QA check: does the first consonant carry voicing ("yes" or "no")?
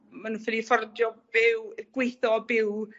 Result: yes